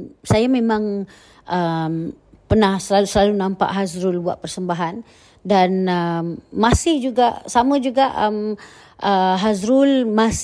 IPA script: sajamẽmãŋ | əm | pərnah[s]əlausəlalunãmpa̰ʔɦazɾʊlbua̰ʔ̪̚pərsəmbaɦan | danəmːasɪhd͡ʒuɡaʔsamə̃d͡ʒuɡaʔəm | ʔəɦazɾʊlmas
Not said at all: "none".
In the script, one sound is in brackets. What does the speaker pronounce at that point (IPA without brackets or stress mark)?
s